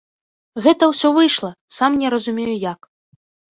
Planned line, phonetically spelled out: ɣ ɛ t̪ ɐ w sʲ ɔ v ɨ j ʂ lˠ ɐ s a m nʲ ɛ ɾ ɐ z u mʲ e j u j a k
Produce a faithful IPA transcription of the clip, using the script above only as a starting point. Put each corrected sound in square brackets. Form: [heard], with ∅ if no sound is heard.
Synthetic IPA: ɣ ɛ t̪ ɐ w sʲ ɔ v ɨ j ʂ lˠ ɐ s a m nʲ ɛ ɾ ɐ z u mʲ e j u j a k